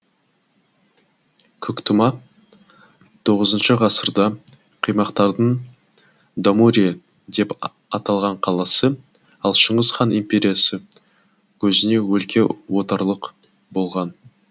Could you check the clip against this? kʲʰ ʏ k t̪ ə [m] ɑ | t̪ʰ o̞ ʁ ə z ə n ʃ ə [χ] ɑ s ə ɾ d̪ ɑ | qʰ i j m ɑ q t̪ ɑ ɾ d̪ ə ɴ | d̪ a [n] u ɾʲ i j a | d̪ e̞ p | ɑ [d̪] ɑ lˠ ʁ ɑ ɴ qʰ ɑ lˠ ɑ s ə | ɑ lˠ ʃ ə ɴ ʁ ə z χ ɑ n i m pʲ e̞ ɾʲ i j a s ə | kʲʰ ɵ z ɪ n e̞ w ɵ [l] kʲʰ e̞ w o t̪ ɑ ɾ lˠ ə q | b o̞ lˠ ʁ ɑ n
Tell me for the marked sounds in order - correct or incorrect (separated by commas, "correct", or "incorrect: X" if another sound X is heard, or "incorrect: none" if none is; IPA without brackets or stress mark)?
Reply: correct, incorrect: ʁ, incorrect: m, incorrect: t̪, correct